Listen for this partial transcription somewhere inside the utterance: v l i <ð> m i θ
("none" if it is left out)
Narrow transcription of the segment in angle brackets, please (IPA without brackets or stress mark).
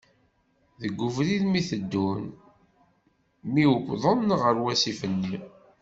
ð